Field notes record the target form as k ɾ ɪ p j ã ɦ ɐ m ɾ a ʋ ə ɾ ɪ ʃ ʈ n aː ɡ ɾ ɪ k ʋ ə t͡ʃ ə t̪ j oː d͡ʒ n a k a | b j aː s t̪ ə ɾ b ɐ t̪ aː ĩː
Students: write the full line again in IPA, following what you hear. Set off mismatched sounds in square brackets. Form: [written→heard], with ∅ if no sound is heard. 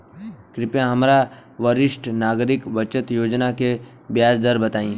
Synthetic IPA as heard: k ɾ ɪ p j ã ɦ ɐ m ɾ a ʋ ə ɾ ɪ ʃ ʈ n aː ɡ ɾ ɪ k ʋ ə t͡ʃ ə t̪ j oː d͡ʒ n a k [a→e] | b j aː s [t̪→d̪] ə ɾ b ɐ t̪ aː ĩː